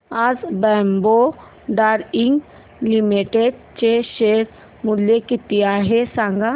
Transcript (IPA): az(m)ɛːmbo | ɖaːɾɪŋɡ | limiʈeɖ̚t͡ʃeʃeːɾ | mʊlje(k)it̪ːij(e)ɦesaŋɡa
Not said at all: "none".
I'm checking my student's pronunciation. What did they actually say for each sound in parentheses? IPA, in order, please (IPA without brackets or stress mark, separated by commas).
b, k, a